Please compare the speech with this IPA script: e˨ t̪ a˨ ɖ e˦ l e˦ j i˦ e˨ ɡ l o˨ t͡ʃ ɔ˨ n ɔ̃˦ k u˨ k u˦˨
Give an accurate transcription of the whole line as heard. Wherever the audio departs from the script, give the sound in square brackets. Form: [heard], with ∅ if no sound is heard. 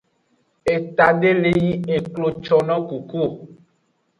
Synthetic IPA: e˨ t̪ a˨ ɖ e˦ l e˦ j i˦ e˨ [k] l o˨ t͡ʃ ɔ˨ n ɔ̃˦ k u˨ k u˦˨